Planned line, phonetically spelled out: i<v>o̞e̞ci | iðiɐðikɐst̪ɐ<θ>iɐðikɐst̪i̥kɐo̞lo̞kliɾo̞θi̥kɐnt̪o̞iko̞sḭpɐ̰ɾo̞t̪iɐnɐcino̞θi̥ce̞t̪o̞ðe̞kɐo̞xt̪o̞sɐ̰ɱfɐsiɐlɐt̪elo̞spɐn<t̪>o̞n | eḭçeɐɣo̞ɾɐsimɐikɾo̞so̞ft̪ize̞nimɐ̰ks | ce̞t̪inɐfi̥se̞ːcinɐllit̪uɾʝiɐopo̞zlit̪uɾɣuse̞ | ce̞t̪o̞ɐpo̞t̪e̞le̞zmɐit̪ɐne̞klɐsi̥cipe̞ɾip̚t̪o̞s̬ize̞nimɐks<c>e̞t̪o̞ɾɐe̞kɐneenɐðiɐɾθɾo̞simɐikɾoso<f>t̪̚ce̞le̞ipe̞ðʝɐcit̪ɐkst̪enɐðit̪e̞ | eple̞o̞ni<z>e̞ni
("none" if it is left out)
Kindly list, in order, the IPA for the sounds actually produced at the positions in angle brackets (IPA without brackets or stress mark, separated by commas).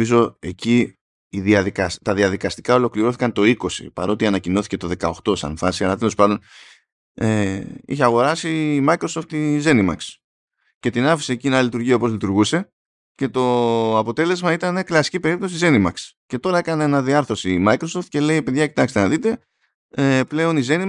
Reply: z, ð, d̪, c, f, z